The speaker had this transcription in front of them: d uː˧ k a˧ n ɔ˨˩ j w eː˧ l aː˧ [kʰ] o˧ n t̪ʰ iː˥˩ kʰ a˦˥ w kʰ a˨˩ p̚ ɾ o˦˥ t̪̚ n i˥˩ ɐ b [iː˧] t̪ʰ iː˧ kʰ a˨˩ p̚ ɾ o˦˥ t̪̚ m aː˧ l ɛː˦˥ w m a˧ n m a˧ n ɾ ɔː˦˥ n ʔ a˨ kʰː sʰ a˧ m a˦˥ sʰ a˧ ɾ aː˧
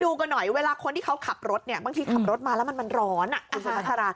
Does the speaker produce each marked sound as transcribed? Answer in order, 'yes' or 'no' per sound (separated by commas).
yes, no